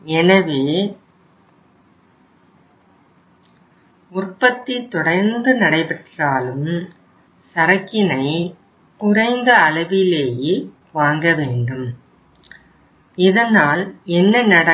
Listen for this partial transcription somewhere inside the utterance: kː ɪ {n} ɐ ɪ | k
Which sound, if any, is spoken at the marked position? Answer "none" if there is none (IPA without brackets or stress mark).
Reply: n